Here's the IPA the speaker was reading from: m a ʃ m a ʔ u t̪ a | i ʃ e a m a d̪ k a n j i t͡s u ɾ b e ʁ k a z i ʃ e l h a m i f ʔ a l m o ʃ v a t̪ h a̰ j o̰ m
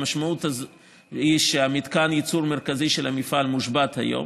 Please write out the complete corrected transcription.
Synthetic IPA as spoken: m a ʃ m a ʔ u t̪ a | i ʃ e a m i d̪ k a n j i t͡s u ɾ m e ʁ k a z i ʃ e l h a m i f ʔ a l m u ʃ b a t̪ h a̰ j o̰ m

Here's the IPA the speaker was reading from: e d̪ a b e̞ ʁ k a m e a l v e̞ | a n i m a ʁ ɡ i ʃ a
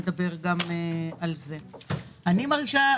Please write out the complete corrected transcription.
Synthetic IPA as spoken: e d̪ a b e̞ ʁ ɡ a m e a l z e̞ | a n i m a ʁ ɡ i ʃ a

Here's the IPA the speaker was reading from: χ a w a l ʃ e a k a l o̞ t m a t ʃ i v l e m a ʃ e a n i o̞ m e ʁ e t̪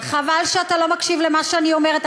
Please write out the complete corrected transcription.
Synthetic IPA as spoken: χ a v a l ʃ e a t a l o̞ m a k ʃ i v l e m a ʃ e a n i o̞ m e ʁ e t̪

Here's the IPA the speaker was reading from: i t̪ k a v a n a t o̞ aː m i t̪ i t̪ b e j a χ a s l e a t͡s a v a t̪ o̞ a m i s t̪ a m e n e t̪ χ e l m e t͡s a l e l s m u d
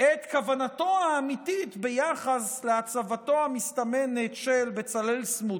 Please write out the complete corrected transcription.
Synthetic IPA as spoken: e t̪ k a v a n a t o̞ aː m i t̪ i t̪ b e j a χ a s l e a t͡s a v a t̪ o̞ a m i s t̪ a m e n e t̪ ʃ e l b e t͡s a l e l s m u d

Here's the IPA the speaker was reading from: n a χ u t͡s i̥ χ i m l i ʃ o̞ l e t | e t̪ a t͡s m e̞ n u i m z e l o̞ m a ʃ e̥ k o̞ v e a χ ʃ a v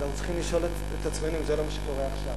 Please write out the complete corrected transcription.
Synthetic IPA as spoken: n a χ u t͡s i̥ χ i m l i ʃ o̞ l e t | e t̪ a t͡s m e̞ n u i m z e l o̞ m a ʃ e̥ k o̞ ʁ e a χ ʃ a v

